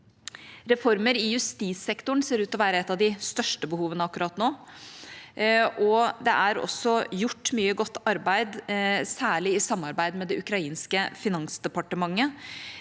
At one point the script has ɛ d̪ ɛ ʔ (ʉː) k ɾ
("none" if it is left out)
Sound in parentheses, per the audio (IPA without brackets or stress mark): ʉ